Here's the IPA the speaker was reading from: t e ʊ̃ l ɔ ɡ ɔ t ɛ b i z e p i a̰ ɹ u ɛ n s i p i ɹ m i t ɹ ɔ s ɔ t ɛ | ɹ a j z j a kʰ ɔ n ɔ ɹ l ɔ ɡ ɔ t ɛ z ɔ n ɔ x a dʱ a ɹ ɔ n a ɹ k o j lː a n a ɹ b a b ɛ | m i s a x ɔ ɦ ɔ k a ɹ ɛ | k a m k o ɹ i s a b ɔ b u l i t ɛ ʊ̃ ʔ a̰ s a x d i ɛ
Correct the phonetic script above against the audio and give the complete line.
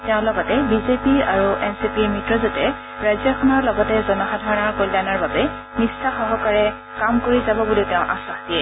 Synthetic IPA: t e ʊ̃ l ɔ ɡ ɔ t ɛ b i z e p i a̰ ɹ u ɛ n s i p i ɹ m i t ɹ ɔ z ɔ t ɛ | ɹ a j z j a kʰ ɔ n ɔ ɹ l ɔ ɡ ɔ t ɛ z ɔ n ɔ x a dʱ a ɹ ɔ n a ɹ k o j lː a n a ɹ b a b ɛ | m i s a x ɔ ɦ ɔ k a ɹ ɛ | k a m k o ɹ i z a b ɔ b u l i t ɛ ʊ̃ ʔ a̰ s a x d i ɛ